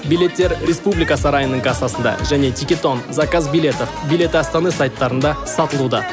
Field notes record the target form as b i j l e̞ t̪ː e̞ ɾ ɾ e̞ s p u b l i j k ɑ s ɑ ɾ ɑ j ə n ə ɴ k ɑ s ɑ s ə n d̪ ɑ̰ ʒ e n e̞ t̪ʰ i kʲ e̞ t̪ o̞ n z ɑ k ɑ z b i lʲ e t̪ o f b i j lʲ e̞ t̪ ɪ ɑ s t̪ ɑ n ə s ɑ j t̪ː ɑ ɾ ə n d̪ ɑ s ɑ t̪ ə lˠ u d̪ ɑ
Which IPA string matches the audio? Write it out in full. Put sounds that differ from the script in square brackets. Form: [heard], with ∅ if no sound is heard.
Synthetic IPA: b i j l e̞ t̪ː e̞ ɾ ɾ e̞ s p u b l i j k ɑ s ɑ ɾ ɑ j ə n ə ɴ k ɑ s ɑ s ə n d̪ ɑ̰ ʒ [æ] n e̞ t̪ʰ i kʲ e̞ t̪ o̞ n z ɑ k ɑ z b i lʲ e t̪ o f b i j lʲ e̞ t̪ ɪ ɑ s t̪ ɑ n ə s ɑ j t̪ː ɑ ɾ ə n d̪ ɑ s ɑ t̪ ə lˠ u d̪ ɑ